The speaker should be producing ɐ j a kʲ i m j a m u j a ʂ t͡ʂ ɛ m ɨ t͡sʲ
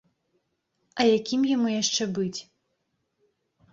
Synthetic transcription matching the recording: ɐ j a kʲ i m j a m u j a ʂ t͡ʂ ɛ b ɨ t͡sʲ